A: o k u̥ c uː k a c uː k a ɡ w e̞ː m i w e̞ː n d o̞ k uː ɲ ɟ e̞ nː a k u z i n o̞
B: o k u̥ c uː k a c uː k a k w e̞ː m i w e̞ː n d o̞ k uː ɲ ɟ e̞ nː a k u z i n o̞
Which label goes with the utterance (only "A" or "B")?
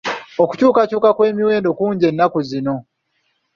B